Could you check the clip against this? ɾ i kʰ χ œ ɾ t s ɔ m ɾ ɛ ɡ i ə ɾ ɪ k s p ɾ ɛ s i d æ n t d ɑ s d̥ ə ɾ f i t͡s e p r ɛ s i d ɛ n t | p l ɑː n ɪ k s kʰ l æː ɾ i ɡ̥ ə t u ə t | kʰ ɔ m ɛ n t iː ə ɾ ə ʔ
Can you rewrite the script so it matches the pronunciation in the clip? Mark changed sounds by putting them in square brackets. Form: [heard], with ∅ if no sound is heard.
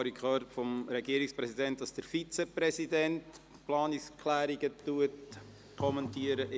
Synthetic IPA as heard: ɾ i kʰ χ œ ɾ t [f] ɔ m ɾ ɛ ɡ i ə ɾ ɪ k s p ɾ ɛ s i d [ɛ] n t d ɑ s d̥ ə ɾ f i t͡s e p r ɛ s i d ɛ n t | p l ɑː n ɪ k s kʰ l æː ɾ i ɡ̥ ə t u ə t | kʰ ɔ m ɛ n t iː ə ɾ ə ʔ

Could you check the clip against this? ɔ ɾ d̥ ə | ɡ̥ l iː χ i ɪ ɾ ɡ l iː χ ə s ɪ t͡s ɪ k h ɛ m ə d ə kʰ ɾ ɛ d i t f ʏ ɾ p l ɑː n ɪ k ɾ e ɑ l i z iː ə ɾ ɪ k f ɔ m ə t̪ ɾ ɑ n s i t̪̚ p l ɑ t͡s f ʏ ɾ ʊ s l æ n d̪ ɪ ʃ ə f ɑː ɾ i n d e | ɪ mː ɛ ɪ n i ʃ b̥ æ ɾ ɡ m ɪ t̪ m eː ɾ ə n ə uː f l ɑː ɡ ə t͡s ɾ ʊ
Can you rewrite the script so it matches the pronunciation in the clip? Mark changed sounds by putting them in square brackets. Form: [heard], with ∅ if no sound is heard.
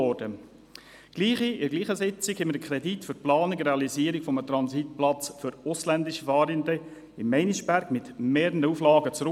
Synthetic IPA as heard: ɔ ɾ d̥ ə | ɡ̥ l iː χ i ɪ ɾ ɡ l iː χ ə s ɪ t͡s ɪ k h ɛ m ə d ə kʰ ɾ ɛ d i t f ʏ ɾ p l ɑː n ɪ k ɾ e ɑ l i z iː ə ɾ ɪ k f ɔ m ə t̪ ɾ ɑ n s i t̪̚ p l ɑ t͡s f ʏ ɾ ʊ s l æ n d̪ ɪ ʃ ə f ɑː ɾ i n d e | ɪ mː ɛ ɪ n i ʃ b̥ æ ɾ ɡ m ɪ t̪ m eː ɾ ə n ə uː f l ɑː ɡ ə t͡s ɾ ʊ

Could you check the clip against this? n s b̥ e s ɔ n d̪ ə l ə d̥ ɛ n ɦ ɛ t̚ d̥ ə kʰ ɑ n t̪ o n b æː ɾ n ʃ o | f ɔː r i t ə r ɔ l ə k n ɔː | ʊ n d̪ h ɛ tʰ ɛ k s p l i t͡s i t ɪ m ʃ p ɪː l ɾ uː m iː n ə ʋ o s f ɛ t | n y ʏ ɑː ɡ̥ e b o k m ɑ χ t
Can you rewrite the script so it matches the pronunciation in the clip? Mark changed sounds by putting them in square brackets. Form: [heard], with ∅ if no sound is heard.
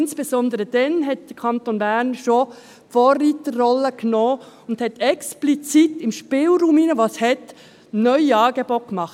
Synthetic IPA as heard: n s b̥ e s ɔ n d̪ ə [ɾ] ə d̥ ɛ n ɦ ɛ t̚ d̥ ə kʰ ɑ n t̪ o n b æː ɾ n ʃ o | f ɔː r i t ə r ɔ l ə k n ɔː | ʊ n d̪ h ɛ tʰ ɛ k s p l i t͡s i t ɪ m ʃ p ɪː l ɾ uː m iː n ə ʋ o s [h] ɛ t | n [œ] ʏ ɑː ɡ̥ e b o k m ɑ χ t

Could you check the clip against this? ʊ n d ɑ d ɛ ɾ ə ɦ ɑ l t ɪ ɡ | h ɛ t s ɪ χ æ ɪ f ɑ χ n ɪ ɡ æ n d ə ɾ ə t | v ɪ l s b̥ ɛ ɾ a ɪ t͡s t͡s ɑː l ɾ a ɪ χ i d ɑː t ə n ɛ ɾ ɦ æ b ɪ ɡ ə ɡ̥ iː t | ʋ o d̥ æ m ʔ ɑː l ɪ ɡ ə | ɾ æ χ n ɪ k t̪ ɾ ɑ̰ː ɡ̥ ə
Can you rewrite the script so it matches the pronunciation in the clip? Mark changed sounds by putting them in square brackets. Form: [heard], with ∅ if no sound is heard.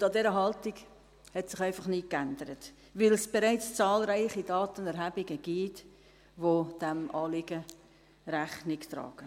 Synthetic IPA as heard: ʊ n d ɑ d ɛ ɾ ə ɦ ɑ l t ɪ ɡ | h ɛ t s ɪ χ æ ɪ f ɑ χ n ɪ [k] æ n d ə ɾ ə t | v ɪ l s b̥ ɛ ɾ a ɪ t͡s t͡s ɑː l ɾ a ɪ χ i d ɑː t ə n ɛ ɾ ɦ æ b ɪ ɡ ə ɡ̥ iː t | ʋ o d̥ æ m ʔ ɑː l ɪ ɡ ə | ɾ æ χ n ɪ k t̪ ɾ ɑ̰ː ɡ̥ ə

